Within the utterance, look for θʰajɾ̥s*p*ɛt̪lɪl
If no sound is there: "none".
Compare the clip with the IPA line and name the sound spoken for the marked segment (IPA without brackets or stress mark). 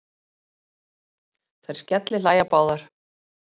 c